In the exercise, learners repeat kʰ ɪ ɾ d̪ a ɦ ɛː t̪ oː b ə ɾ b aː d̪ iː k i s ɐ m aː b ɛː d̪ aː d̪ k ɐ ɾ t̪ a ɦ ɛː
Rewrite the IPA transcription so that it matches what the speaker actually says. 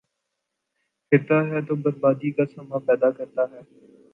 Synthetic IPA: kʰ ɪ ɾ t̪ a ɦ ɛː t̪ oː b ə ɾ b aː d̪ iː k a s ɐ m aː p ɛː d̪ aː k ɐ ɾ t̪ a ɦ ɛː